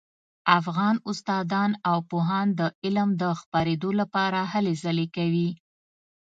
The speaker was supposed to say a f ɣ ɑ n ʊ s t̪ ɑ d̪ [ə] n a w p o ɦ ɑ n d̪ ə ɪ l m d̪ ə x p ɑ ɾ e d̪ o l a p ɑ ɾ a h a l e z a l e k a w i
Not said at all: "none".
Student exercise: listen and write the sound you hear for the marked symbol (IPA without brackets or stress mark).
ɑ